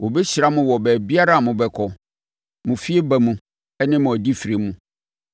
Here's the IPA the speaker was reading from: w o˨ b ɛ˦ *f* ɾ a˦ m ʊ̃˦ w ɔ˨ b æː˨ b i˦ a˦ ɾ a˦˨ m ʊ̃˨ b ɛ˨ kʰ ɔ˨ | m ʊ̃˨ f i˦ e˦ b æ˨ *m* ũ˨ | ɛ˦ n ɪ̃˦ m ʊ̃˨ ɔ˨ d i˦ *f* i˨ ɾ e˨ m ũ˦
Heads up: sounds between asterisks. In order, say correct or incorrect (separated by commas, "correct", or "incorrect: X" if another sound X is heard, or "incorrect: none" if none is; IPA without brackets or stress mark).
incorrect: ɕ, correct, correct